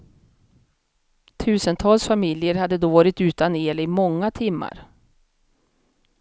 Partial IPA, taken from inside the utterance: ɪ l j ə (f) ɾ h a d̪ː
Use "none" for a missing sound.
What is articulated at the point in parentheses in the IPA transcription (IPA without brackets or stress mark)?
none